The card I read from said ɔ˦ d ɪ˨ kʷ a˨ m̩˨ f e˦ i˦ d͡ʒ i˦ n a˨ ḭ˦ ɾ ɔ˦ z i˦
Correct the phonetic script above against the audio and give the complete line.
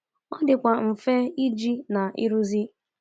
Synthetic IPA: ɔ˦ d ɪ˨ kʷ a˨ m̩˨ f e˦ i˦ d͡ʒ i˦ n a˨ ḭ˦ ɾ u˦ z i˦